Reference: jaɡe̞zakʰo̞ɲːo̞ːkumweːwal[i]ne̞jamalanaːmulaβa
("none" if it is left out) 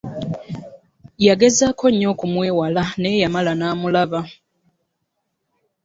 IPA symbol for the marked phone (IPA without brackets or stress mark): a